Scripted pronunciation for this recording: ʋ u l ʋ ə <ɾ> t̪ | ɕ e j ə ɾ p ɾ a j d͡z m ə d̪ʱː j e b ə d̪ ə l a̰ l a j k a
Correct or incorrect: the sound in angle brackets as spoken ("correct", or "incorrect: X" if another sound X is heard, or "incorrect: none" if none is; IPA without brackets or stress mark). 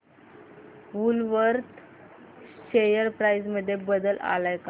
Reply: correct